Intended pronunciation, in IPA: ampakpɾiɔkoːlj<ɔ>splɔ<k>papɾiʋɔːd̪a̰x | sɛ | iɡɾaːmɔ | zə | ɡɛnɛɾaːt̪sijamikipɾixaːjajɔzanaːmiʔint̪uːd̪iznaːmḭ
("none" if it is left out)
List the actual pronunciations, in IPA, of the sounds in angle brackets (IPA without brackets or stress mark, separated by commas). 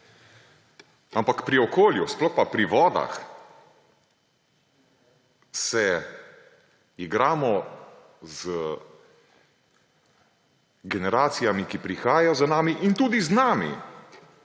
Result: u, x